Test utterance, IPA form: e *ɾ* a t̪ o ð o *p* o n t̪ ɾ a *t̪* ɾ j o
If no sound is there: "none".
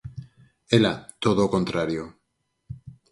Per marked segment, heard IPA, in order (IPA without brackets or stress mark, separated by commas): l, k, none